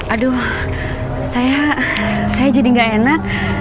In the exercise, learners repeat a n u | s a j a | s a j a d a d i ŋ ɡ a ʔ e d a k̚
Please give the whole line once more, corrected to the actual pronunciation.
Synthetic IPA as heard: a d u | s a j a | s a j a d͡ʒ a d i ŋ ɡ a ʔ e n a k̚